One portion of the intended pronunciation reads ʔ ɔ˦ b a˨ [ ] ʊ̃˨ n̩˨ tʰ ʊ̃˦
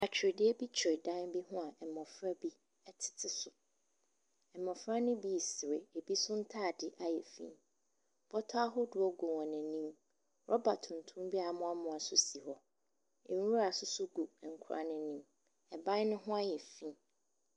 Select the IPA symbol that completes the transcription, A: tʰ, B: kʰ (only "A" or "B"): A